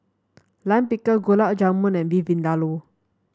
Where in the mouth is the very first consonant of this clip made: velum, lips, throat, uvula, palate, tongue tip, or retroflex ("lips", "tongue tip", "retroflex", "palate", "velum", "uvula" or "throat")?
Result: tongue tip